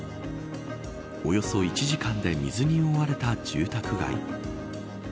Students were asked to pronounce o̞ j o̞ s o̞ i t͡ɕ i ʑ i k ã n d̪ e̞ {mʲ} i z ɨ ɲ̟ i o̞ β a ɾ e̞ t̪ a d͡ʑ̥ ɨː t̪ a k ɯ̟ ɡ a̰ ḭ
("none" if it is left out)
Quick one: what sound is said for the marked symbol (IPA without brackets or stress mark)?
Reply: mʲ